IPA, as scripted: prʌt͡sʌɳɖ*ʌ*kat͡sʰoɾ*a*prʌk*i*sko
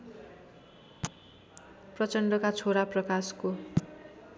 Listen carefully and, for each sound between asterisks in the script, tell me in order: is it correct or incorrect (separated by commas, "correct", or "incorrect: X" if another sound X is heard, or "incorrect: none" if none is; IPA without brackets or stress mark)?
correct, correct, incorrect: a